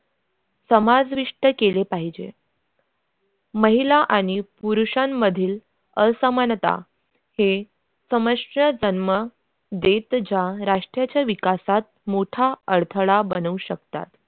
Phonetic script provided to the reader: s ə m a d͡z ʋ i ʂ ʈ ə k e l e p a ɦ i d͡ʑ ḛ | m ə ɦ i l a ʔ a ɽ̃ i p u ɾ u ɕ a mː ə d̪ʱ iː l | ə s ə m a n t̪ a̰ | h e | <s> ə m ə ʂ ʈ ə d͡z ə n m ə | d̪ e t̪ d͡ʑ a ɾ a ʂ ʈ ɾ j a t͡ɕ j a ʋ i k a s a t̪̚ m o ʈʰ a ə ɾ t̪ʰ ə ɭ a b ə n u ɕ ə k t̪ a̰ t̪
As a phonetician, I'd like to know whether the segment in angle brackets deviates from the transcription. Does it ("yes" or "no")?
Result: no